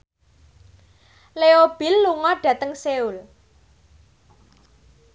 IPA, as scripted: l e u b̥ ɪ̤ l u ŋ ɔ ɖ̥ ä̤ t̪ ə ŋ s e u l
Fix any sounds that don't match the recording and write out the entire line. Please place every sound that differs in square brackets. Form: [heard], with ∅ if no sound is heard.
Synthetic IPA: l e [o] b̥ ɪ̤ [lː] u ŋ ɔ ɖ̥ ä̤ t̪ ə ŋ s e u l